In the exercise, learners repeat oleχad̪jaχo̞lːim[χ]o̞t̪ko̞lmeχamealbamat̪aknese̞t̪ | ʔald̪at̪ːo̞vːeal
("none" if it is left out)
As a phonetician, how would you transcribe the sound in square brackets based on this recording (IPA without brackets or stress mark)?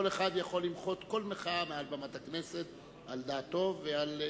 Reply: χ